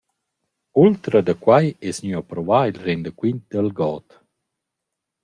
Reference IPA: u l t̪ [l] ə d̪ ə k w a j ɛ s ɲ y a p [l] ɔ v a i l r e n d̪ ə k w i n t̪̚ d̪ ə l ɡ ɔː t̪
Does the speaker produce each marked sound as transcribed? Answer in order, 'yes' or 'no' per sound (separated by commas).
no, no